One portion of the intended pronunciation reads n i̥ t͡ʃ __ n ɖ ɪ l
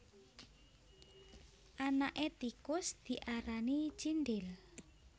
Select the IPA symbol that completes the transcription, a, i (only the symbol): i